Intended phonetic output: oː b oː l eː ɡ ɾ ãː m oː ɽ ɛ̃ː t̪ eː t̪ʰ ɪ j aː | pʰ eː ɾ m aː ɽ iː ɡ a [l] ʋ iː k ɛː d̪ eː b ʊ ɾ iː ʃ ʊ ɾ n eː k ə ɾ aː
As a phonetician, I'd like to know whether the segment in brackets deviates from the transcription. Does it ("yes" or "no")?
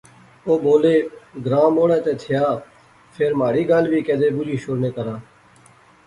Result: no